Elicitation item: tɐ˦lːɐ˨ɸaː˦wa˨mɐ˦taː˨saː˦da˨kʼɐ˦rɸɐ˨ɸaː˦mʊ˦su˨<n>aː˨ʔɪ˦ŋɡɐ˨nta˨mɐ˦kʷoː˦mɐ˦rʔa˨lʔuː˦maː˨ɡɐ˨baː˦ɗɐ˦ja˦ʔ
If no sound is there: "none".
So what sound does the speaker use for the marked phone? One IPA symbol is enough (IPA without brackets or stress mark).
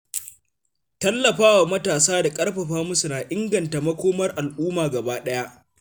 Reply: n